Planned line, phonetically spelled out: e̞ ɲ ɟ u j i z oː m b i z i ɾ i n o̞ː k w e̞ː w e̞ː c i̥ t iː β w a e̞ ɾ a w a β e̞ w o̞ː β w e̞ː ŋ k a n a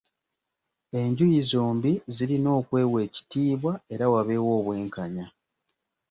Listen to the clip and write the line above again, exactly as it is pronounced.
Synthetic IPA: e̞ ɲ ɟ u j i z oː m b i z i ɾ i n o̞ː k w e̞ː w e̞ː c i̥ t iː β w a e̞ ɾ a w a β e̞ w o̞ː β w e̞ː ŋ k a ɲ a